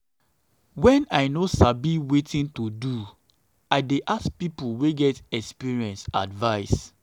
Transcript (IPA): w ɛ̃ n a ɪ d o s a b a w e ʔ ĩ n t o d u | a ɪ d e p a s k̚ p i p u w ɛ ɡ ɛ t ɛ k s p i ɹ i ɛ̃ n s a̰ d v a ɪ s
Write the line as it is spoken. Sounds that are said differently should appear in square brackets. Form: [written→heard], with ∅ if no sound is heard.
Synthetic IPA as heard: w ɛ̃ n a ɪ [d→n] o s a b [a→i] w e [ʔ→t] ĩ n t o d u | a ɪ d e [p→ʔ] a s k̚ p i p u w [ɛ→e] ɡ ɛ t ɛ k s p i ɹ i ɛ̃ n s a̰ d v a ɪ s